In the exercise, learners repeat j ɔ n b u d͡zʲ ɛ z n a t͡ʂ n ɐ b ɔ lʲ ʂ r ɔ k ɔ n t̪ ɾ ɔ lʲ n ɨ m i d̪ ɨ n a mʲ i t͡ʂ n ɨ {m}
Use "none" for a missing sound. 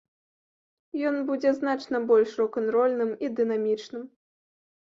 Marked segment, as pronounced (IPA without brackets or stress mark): m